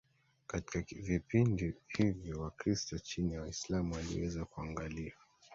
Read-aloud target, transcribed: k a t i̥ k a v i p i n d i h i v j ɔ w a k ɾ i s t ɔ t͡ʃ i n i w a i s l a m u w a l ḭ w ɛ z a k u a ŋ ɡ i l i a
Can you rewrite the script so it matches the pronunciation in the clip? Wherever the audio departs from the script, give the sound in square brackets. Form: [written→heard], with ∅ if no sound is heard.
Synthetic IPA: k a t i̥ k a v i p i n d i h i v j ɔ w a k ɾ i s t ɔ t͡ʃ i n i w a i s l a m u w a l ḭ w ɛ z a k u a ŋ ɡ [i→a] l i a